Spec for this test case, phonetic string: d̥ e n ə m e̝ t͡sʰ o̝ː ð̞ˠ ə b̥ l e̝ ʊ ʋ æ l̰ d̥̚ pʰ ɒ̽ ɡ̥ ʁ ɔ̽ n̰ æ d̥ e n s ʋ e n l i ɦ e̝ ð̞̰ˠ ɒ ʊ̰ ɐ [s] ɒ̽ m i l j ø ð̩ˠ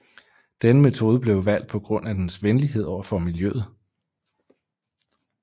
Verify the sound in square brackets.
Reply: incorrect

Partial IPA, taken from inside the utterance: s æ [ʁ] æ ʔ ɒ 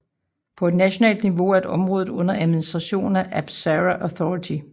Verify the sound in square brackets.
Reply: correct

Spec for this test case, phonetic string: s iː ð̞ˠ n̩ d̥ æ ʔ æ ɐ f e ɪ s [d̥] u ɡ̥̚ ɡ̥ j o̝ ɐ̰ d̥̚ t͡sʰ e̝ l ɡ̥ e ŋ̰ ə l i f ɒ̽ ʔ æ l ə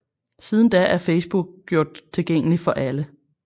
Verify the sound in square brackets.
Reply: incorrect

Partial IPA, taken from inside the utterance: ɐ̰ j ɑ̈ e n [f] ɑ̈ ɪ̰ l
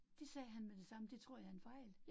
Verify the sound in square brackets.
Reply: correct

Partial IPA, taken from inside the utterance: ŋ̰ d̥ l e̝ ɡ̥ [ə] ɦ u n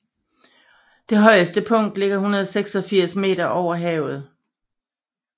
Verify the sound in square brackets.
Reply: incorrect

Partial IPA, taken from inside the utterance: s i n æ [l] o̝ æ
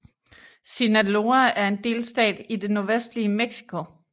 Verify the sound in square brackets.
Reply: correct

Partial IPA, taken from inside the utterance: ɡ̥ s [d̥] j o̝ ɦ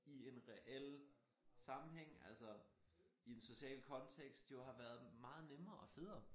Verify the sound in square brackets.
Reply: correct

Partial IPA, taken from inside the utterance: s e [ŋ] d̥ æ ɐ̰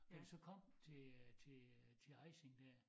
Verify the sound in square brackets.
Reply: correct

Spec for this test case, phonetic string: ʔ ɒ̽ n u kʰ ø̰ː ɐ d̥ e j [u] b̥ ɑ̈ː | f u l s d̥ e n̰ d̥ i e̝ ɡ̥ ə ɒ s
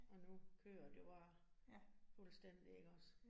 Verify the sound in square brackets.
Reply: incorrect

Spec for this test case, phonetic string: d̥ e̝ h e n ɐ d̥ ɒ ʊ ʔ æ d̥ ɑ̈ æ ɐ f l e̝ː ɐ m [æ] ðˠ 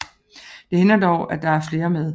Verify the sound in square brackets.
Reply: incorrect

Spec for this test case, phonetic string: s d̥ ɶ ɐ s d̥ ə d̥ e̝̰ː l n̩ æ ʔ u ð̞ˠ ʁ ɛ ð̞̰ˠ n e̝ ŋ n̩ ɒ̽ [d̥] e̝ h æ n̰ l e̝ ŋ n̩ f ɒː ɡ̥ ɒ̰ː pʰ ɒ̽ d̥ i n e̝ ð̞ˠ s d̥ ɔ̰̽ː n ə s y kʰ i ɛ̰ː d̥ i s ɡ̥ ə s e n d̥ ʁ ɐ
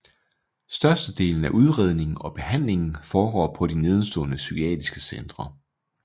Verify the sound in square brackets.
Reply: incorrect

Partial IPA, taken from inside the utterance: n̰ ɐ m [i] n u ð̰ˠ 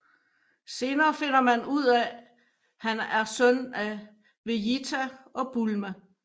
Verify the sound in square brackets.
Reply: incorrect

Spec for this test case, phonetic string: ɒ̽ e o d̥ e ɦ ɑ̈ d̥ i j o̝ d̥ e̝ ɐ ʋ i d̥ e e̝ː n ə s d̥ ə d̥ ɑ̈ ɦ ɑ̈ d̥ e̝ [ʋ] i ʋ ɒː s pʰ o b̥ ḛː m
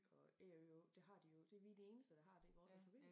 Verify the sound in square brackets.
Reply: incorrect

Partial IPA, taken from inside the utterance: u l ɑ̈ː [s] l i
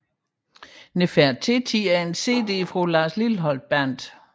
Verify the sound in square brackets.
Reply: correct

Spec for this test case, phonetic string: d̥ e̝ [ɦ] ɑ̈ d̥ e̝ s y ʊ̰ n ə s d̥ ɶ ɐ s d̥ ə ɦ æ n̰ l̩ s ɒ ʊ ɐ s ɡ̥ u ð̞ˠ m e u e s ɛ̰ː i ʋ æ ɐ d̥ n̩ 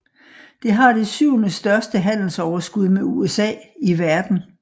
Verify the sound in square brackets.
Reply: correct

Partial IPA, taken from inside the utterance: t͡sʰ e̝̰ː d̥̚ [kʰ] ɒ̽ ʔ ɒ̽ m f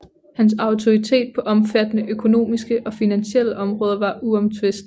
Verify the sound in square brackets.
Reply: incorrect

